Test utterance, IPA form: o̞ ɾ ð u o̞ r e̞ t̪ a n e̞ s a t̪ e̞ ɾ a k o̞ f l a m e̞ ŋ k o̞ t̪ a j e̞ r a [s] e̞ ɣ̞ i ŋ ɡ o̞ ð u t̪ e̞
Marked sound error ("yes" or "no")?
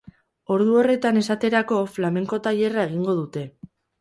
yes